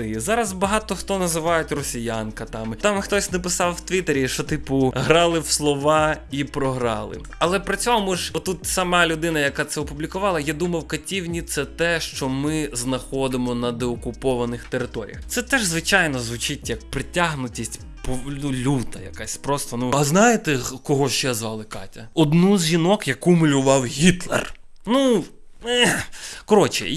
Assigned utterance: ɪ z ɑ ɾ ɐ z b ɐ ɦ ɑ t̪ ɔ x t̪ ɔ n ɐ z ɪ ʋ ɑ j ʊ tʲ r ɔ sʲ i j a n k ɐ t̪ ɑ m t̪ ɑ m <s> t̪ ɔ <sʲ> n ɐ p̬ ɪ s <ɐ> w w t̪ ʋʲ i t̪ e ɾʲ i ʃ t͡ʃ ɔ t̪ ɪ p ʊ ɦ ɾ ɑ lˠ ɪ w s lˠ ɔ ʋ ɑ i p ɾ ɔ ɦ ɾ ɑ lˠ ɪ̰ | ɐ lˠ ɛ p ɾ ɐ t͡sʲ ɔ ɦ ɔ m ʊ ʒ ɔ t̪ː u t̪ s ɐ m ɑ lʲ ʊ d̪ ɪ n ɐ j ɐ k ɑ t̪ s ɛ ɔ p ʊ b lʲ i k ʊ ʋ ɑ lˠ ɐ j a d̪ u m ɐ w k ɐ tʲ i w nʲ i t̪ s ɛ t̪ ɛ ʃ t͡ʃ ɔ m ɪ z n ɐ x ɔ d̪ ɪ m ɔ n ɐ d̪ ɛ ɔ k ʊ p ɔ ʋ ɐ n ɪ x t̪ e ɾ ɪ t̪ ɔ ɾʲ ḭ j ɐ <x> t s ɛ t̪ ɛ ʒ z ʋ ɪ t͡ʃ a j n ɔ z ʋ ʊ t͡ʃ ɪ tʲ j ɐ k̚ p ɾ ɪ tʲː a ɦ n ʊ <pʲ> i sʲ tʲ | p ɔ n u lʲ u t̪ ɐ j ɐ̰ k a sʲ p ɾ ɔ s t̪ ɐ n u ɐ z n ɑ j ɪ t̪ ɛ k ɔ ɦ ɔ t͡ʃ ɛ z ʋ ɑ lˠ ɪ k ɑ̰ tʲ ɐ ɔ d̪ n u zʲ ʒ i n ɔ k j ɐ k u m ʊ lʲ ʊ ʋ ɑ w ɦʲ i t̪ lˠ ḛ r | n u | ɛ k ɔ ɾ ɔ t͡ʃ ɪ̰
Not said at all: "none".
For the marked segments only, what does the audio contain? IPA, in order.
x, sʲ, ɑ, x, tʲ

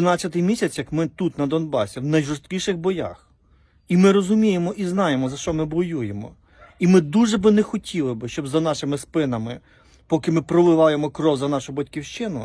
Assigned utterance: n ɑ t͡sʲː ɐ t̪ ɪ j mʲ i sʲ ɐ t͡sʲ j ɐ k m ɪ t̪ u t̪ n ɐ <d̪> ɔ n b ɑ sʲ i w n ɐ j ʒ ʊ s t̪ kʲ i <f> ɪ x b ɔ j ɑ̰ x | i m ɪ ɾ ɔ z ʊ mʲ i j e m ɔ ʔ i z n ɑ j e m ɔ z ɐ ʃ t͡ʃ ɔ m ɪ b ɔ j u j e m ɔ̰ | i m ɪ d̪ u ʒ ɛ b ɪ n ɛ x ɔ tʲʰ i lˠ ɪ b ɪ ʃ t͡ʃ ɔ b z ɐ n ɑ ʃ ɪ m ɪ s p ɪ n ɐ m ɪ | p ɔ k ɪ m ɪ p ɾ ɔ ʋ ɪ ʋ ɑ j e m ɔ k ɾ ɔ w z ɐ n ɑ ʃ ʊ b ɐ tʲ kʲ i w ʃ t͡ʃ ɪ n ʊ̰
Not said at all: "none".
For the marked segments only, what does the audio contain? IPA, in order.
d̪, ʃ

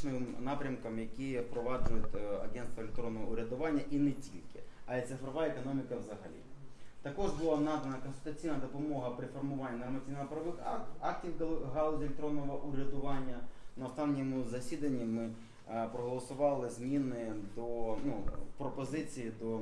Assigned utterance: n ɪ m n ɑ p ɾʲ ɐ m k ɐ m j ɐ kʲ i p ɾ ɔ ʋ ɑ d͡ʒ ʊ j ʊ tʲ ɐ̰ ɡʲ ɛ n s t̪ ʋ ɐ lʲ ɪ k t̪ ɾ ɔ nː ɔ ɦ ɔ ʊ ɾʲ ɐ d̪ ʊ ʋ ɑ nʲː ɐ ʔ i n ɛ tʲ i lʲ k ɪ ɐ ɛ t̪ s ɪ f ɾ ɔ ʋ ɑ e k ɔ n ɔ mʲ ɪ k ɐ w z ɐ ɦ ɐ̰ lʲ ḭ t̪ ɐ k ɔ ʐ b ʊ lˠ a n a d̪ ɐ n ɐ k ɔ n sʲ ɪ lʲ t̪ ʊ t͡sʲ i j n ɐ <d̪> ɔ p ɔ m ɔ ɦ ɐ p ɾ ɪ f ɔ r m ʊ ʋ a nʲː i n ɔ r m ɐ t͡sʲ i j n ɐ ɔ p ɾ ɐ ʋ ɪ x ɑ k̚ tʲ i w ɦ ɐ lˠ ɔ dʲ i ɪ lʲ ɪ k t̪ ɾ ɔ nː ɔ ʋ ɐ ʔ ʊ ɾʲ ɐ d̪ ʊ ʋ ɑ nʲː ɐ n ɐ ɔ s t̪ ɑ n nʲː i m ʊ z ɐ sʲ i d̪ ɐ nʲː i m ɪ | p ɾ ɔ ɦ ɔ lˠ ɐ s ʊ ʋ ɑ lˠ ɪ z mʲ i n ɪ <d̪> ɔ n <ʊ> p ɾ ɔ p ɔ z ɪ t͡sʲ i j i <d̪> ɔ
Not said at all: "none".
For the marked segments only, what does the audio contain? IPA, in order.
d̪, d̪, u, d̪

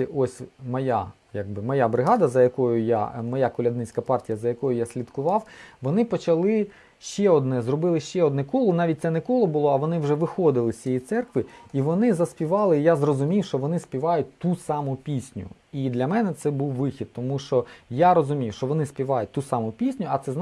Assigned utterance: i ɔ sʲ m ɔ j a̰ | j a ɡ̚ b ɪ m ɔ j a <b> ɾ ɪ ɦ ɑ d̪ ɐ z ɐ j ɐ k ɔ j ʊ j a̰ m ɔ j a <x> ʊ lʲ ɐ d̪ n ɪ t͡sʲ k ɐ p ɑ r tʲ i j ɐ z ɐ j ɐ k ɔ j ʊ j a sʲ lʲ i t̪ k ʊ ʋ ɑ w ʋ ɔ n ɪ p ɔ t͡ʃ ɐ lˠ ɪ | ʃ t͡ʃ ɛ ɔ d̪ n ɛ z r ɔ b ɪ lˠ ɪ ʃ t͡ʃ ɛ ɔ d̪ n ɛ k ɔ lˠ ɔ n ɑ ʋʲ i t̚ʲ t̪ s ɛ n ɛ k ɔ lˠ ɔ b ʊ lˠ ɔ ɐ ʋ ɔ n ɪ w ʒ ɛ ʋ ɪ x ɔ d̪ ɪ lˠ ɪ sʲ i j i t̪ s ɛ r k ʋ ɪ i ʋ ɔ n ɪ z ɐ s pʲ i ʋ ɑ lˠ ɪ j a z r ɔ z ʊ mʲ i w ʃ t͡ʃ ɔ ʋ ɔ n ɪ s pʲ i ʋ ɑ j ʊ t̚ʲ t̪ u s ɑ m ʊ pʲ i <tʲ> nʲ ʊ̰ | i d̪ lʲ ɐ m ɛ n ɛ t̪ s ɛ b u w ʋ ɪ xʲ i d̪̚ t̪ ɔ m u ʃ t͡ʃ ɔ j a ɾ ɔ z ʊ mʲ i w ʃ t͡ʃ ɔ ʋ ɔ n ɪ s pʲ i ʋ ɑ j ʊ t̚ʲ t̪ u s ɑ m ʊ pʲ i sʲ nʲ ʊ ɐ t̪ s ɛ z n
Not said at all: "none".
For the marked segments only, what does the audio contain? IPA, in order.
b, k, sʲ

